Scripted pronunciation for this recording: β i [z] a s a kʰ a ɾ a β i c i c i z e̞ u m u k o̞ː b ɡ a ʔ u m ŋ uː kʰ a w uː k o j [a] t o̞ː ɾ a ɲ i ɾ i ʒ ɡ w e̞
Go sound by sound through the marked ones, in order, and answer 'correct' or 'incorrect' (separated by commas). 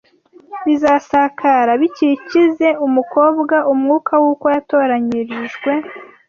correct, correct